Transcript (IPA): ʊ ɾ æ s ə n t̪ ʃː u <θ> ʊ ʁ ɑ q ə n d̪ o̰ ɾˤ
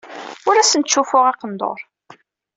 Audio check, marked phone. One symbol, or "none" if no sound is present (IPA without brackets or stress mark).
f